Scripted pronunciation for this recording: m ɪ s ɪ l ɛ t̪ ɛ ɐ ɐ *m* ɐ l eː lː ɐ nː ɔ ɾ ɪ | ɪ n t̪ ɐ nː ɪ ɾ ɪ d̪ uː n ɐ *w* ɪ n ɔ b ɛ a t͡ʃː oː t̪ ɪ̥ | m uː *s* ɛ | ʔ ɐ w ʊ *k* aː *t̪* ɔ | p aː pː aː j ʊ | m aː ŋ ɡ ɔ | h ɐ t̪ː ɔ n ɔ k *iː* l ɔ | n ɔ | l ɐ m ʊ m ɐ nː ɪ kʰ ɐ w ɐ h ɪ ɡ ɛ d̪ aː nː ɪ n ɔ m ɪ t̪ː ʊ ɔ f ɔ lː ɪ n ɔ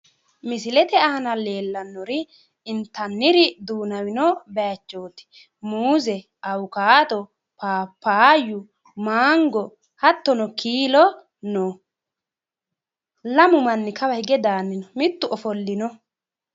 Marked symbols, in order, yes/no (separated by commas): no, yes, no, yes, yes, yes